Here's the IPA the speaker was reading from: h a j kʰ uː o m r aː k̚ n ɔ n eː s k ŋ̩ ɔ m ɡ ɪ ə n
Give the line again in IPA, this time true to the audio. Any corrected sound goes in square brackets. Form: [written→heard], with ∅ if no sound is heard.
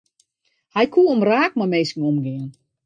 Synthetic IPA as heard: h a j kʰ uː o m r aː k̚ [n→m] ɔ [n→m] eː s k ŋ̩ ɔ m ɡ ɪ ə n